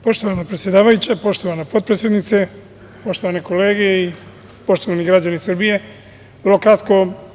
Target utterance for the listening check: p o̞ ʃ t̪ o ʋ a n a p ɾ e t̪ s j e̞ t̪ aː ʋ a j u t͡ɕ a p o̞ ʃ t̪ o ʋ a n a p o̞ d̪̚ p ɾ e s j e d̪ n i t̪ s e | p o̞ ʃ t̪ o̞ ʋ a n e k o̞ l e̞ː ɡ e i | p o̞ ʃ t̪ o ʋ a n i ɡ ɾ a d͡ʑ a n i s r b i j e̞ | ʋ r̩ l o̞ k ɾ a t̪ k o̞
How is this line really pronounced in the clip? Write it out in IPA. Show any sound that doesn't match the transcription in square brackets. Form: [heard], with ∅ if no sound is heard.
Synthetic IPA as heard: p o̞ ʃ t̪ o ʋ a n a p ɾ e t̪ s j e̞ [d̪] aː ʋ a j u t͡ɕ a p o̞ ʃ t̪ o ʋ a n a p o̞ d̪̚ p ɾ e s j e d̪ n i t̪ s e | p o̞ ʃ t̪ o̞ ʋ a n e k o̞ l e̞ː ɡ e i | p o̞ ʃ t̪ o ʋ a n i ɡ ɾ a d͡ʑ a n i s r b i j e̞ | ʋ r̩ l o̞ k ɾ a t̪ k o̞